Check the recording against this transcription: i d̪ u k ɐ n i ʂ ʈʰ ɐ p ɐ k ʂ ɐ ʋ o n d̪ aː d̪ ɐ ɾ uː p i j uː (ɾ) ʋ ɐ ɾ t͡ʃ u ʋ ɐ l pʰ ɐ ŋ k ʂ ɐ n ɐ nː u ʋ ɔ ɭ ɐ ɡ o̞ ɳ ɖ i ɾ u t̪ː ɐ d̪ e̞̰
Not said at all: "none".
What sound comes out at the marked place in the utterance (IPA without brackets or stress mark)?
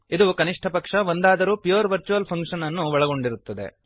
ɾ